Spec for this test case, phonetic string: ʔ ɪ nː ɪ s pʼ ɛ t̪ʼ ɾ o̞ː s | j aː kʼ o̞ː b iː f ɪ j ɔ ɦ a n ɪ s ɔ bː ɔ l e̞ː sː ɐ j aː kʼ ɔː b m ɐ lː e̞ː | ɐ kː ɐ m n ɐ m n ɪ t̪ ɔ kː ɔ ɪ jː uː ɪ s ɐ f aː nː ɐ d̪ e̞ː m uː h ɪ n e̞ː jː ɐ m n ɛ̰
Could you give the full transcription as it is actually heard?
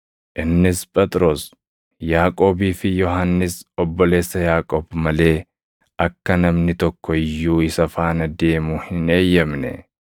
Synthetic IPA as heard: ʔ ɪ nː ɪ s pʼ ɛ t̪ʼ ɾ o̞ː s | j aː kʼ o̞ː b iː f ɪ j ɔ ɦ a nː ɪ s ɔ bː ɔ l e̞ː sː ɐ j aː kʼ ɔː b m ɐ l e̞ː | ɐ kː ɐ n ɐ m n ɪ t̪ ɔ kː ɔ ɪ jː uː ɪ s ɐ f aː n ɐ d̪ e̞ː m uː h ɪ n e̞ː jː ɐ m n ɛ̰